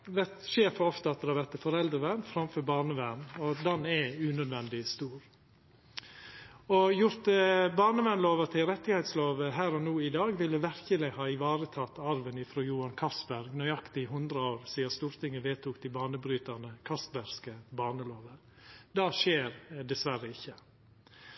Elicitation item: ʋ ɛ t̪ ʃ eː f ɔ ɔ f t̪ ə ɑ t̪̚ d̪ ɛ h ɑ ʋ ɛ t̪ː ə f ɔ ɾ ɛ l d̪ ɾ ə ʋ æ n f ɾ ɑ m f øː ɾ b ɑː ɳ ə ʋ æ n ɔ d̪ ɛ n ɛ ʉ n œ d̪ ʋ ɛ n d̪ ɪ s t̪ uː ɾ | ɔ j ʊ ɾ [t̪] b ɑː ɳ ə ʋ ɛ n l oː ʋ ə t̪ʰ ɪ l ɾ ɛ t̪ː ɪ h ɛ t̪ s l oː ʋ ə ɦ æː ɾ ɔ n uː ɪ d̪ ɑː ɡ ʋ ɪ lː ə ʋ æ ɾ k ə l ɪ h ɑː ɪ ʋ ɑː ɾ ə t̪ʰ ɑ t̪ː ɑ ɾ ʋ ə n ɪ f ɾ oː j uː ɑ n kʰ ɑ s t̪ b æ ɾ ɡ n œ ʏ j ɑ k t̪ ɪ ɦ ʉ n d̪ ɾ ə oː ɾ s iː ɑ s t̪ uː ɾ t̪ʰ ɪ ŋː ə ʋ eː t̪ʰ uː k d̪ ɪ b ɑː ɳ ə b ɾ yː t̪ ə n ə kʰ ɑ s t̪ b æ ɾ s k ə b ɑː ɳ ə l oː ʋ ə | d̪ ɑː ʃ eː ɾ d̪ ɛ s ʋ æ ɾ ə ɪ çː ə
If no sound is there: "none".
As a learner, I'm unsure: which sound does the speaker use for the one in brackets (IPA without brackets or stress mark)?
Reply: t̪